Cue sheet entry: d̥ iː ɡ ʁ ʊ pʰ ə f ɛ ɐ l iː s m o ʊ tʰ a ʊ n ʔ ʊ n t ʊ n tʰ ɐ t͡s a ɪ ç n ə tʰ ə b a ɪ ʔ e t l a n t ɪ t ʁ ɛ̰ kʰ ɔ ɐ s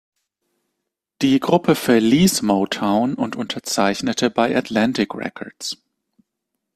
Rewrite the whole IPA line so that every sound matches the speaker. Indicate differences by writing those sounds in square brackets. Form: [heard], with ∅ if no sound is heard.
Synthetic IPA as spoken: d̥ iː ɡ ʁ ʊ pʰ ə f ɛ ɐ l iː s m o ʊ tʰ a ʊ n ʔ ʊ n t ʊ n tʰ ɐ t͡s a ɪ ç n ə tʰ ə b a ɪ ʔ [a] t l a n t ɪ [k] ʁ ɛ̰ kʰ ɔ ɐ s